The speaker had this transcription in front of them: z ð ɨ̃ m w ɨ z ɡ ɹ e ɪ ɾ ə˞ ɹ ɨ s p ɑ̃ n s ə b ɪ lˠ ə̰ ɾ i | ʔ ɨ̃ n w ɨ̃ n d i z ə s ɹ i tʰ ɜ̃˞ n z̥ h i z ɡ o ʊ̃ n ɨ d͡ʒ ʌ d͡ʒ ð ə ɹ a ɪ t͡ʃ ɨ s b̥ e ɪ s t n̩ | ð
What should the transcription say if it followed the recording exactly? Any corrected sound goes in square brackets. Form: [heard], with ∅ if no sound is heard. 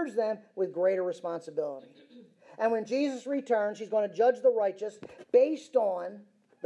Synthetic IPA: z ð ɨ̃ m w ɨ [ð] ɡ ɹ e ɪ ɾ ə˞ ɹ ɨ s p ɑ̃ n s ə b ɪ lˠ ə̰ ɾ i | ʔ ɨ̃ n w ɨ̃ n [d͡ʒ] i z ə s ɹ i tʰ ɜ̃˞ n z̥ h i z ɡ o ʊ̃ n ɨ d͡ʒ ʌ d͡ʒ ð ə ɹ a ɪ t͡ʃ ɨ s b̥ e ɪ s t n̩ | ð